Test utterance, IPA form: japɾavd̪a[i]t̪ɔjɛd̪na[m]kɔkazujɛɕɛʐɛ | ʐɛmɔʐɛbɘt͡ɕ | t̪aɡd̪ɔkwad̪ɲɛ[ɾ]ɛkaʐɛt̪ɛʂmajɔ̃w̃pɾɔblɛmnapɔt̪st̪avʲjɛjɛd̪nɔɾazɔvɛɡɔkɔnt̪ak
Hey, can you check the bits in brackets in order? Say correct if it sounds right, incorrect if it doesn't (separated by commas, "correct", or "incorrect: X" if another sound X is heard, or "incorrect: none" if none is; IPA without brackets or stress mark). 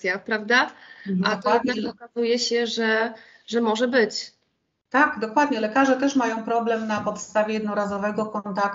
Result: incorrect: a, incorrect: none, incorrect: l